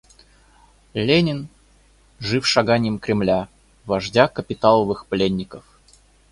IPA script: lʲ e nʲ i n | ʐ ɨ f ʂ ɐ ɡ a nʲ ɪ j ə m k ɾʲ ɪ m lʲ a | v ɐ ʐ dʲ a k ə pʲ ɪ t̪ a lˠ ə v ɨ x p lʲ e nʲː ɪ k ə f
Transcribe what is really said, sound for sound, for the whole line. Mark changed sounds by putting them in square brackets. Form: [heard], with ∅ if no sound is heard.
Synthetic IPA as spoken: lʲ e nʲ [ɪ] n | ʐ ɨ f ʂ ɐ ɡ a nʲ ɪ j ə m k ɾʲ ɪ m lʲ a | v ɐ ʐ dʲ a k ə pʲ ɪ t̪ a lˠ ə v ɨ x p lʲ e nʲː ɪ k ə f